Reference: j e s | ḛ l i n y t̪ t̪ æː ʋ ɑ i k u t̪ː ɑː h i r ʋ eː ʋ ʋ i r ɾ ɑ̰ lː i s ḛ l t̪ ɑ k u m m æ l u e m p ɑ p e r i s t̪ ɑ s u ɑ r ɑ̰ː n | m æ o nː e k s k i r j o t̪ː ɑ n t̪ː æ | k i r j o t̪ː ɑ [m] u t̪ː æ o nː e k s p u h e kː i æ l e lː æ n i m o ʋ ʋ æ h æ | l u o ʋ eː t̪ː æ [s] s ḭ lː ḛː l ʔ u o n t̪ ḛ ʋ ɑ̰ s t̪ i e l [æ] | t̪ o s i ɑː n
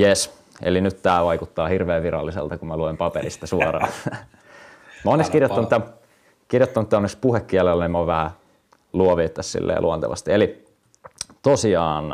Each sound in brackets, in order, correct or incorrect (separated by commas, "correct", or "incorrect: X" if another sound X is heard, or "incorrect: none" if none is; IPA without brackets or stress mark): incorrect: n, correct, incorrect: i